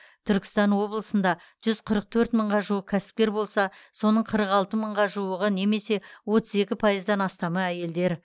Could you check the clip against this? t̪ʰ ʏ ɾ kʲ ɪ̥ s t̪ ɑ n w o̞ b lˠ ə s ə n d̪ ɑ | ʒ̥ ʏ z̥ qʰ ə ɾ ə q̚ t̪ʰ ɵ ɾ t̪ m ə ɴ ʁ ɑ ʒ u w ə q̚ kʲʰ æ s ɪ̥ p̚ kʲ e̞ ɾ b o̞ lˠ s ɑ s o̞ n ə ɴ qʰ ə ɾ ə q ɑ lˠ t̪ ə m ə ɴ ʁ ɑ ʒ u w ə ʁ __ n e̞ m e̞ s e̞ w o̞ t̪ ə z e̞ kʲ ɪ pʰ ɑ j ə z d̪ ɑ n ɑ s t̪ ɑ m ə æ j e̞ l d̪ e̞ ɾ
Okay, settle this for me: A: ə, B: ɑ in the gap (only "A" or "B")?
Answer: A